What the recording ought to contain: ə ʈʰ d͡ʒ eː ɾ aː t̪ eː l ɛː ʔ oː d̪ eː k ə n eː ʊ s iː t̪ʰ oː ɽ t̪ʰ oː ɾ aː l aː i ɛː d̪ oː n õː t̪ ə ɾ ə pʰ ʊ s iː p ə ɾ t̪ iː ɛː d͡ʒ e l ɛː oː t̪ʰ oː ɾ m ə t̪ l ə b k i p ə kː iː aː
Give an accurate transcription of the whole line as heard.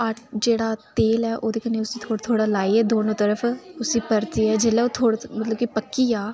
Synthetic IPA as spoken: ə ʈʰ d͡ʒ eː ɽ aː t̪ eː l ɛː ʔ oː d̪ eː k ə n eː ʊ s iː t̪ʰ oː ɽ t̪ʰ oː ɽ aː l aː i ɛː d̪ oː n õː t̪ ə ɾ ə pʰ ʊ s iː p ə ɾ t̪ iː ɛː d͡ʒ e l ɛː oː t̪ʰ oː ɽ m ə t̪ l ə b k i p ə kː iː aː